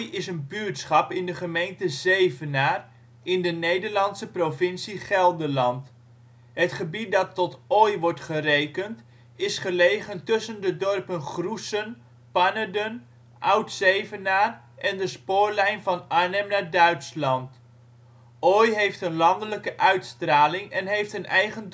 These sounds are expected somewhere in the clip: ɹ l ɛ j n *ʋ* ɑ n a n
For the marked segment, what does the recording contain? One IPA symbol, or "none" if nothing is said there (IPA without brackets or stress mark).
v